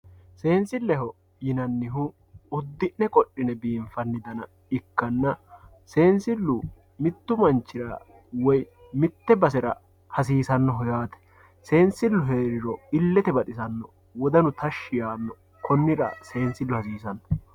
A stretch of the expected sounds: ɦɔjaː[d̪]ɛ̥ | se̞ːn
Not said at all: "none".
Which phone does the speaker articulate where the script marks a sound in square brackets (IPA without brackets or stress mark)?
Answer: t̪